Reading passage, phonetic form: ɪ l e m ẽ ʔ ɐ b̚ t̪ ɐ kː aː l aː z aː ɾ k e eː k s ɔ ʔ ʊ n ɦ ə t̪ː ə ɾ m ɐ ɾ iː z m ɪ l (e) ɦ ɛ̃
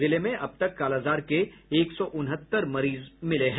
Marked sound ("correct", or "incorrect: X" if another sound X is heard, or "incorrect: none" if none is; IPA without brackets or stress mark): correct